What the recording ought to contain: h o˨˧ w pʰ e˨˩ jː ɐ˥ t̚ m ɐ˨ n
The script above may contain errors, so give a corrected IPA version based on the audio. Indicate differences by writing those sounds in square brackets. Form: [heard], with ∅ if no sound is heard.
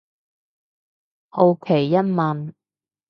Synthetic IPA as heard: h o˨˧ w [kʰ] e˨˩ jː ɐ˥ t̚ m ɐ˨ n

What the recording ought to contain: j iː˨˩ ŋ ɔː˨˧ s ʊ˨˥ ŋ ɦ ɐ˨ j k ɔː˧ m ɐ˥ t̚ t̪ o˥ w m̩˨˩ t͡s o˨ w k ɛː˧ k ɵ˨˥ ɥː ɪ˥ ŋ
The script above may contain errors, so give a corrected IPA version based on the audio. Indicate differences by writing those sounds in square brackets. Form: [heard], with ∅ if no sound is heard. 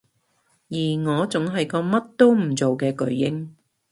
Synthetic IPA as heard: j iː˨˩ ŋ ɔː˨˧ [t͡s] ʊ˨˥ ŋ ɦ ɐ˨ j k ɔː˧ m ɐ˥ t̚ t̪ o˥ w m̩˨˩ t͡s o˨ w k ɛː˧ k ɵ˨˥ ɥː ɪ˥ ŋ

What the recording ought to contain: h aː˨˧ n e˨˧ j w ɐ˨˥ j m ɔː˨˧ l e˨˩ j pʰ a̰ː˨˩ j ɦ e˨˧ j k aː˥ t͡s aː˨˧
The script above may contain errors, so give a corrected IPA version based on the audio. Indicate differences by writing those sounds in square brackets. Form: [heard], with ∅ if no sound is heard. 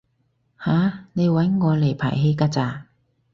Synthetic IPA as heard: h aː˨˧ n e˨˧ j w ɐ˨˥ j [ŋ] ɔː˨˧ l e˨˩ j pʰ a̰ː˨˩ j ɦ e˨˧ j k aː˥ t͡s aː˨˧

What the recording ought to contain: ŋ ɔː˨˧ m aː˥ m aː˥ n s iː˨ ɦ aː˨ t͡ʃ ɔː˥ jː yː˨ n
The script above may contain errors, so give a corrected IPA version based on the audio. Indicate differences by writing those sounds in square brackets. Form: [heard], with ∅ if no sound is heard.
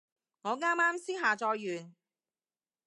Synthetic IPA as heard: ŋ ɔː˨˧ [ŋ] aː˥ m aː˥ [m] s [iː˥] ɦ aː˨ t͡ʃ [ɔː˧] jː yː˨ n

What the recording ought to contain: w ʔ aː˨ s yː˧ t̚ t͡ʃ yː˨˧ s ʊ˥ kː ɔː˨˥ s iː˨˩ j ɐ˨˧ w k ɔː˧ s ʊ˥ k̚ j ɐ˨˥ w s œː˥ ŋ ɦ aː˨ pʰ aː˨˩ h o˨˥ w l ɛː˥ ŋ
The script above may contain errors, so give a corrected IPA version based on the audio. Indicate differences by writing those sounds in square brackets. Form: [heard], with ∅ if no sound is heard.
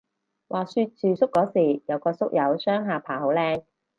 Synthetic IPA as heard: w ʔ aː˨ s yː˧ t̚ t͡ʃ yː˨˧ s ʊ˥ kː ɔː˨˥ s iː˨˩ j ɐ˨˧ w k ɔː˧ s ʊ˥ k̚ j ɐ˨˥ w s œː˥ ŋ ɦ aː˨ pʰ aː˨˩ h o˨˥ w l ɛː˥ ŋ

